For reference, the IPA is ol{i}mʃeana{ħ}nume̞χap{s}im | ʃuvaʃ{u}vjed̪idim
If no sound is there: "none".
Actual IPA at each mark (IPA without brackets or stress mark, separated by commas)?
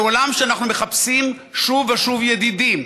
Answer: a, χ, s, u